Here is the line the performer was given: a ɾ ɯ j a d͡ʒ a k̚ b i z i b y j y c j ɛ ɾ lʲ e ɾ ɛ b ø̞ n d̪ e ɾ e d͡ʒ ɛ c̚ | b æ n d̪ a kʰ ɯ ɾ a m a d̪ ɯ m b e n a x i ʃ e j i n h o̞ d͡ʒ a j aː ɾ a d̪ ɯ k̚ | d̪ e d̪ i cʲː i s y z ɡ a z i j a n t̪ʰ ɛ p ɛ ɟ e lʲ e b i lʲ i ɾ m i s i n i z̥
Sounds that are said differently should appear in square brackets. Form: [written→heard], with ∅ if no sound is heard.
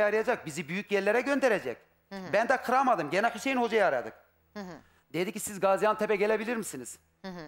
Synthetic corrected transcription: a ɾ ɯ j a d͡ʒ a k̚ b i z i b y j y c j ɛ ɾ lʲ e ɾ ɛ [b→ɟ] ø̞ n d̪ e ɾ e d͡ʒ ɛ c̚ | b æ n d̪ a kʰ ɯ ɾ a m a d̪ ɯ m [b→ɟ] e n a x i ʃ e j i n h o̞ d͡ʒ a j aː ɾ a d̪ ɯ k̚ | d̪ e d̪ i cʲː i s [y→i] z ɡ a z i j a n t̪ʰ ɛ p ɛ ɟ e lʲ e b i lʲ i ɾ m i s i n i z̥